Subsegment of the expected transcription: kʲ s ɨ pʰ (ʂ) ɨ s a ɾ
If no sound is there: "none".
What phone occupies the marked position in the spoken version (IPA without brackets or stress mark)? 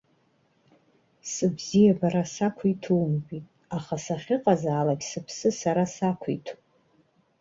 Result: s